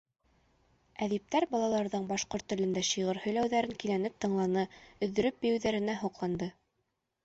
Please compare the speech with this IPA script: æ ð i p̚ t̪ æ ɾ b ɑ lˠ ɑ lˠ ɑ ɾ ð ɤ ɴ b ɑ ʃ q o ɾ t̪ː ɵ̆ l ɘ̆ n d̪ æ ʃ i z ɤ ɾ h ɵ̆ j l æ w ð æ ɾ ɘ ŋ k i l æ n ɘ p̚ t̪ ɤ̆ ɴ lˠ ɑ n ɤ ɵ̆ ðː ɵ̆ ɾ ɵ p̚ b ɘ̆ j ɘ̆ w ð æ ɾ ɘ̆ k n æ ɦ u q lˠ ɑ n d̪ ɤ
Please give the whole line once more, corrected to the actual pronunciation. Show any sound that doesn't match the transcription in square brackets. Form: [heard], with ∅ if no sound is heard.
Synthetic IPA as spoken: æ ð i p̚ t̪ æ ɾ b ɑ lˠ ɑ lˠ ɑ ɾ ð ɤ ɴ b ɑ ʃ q o ɾ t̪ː ɵ̆ l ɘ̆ n d̪ æ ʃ i [ʁ] ɤ ɾ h ɵ̆ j l æ w ð æ ɾ ɘ ŋ k i l æ n ɘ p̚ t̪ ɤ̆ ɴ lˠ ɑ n ɤ ɵ̆ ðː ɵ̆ ɾ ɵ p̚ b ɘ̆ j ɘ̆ w ð æ ɾ ɘ̆ [∅] n æ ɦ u q lˠ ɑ n d̪ ɤ